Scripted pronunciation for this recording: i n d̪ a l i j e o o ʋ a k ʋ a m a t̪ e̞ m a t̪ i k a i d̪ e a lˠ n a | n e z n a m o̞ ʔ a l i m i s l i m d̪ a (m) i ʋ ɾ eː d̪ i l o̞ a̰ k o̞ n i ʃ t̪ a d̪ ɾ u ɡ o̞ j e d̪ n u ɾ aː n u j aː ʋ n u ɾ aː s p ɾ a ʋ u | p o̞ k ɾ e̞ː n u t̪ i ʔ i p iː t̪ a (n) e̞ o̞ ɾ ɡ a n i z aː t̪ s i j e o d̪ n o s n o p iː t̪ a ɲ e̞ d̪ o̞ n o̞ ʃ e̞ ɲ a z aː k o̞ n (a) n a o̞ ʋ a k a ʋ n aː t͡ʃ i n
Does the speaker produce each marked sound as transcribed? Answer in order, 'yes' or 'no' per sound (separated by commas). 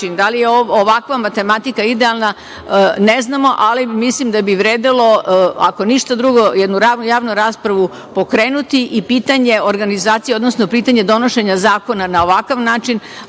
no, no, yes